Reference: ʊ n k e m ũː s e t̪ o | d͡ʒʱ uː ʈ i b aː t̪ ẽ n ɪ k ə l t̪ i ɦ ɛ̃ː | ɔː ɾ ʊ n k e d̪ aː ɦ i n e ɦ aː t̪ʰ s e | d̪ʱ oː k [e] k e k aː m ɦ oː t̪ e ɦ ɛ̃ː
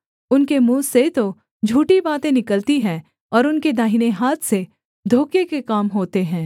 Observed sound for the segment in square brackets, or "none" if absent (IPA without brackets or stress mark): e